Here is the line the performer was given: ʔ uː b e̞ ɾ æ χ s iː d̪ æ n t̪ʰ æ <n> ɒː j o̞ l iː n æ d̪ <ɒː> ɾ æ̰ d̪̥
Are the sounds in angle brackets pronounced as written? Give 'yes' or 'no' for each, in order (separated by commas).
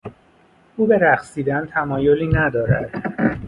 no, yes